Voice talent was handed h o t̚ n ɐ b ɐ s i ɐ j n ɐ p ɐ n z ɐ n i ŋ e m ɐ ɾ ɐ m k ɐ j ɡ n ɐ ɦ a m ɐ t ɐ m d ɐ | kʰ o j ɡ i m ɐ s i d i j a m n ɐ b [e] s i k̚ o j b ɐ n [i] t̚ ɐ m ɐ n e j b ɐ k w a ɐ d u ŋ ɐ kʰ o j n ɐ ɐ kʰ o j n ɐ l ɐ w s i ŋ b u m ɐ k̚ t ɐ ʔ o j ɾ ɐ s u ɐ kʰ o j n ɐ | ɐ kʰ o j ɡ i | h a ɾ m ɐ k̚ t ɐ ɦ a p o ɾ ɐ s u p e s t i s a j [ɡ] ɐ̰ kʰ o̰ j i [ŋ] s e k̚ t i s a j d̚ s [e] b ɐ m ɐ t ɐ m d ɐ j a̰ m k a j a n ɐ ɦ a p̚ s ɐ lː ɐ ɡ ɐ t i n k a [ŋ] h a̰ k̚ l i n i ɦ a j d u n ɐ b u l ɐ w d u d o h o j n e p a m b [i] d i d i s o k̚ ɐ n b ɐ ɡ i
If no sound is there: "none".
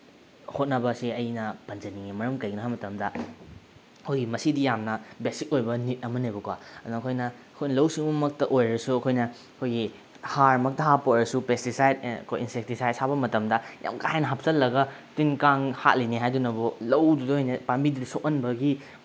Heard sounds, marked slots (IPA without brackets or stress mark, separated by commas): e, i, d, n, a, ŋ, i